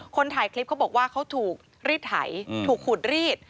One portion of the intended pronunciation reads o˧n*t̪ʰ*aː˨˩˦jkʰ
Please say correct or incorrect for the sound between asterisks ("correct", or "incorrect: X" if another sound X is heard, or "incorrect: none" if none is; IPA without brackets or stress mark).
correct